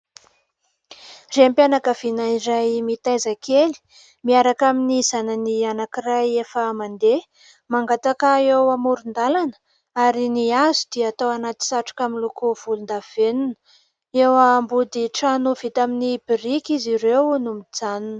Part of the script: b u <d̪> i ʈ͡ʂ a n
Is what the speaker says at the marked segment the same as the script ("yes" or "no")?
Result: yes